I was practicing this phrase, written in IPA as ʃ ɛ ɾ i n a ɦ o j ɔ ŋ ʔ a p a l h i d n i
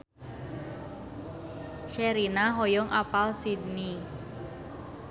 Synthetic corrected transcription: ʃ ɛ ɾ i n a ɦ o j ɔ ŋ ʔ a p a l s i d n i